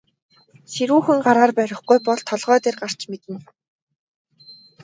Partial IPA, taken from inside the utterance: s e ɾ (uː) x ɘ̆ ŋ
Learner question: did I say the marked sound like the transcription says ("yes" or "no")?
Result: yes